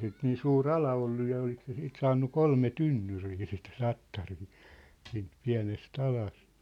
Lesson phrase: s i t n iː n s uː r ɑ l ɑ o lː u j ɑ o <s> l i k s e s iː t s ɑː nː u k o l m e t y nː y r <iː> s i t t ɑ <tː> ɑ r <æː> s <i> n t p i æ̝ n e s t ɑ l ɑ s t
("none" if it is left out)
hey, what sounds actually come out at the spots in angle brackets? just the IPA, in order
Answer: none, iː, tː, iː, iː

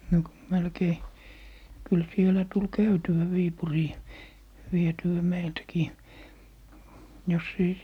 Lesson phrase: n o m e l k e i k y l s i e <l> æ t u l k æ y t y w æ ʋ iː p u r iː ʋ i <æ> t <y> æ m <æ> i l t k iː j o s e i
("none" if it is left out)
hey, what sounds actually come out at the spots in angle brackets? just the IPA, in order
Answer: l, e, y, e

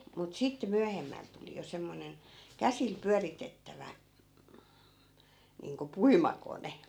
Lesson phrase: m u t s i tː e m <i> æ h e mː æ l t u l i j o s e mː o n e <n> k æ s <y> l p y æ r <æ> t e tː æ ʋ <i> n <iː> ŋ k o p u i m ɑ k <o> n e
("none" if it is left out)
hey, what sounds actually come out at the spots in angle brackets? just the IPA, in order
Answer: y, n, i, i, æ, iː, o

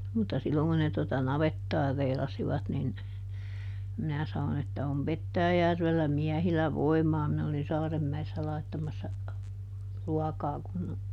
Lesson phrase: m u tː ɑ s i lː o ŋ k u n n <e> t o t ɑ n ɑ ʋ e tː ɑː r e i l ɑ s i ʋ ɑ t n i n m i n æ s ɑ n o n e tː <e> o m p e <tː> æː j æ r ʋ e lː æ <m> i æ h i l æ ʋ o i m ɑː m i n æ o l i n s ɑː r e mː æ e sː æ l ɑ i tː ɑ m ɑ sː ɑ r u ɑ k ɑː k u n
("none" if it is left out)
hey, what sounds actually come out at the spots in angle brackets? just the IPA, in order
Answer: e, æ, tː, m

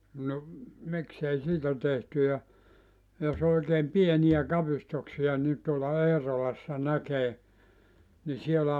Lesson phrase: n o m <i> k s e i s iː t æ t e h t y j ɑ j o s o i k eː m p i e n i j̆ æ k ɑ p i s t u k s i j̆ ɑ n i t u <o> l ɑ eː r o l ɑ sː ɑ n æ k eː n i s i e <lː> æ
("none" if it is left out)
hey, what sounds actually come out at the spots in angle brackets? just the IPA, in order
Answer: i, o, l

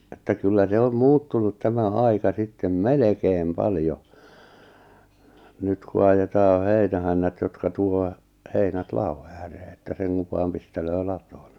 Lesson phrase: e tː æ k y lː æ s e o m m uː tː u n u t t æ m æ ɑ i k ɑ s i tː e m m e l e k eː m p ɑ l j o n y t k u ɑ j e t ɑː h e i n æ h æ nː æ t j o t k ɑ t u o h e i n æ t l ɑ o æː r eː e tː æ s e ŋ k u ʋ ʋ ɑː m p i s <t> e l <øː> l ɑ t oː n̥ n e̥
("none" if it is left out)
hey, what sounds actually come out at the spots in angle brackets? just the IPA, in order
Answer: t, øː

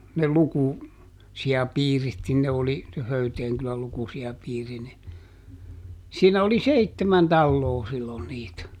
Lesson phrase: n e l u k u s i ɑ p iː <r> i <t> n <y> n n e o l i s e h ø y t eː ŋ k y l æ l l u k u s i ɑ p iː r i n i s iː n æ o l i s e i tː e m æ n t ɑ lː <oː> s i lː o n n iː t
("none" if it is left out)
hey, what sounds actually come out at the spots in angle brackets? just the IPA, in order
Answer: r, t, i, oː

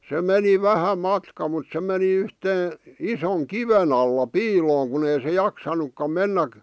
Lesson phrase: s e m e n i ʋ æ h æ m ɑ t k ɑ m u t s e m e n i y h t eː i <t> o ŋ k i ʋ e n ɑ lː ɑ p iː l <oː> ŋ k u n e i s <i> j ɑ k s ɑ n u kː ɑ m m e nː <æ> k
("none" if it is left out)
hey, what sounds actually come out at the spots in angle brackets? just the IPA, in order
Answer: s, oː, e, æ

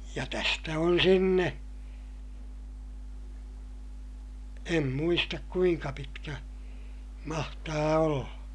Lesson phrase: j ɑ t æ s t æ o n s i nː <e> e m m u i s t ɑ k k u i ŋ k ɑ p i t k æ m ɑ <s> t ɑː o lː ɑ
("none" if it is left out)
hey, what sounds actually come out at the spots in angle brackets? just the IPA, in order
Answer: e, h

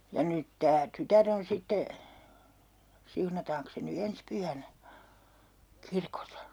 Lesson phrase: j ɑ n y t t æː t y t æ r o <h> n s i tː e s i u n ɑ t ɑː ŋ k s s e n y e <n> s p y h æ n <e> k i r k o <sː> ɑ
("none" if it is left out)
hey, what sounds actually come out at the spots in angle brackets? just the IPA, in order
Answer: none, n, æ, s

